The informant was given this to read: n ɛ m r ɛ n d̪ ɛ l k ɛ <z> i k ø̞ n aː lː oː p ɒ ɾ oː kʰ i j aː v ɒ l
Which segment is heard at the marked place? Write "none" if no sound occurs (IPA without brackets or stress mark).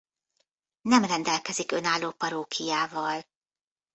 z